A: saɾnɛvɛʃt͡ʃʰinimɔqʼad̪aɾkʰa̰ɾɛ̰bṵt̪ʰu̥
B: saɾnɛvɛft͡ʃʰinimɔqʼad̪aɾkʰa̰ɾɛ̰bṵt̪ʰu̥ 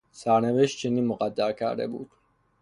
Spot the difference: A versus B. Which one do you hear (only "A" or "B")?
A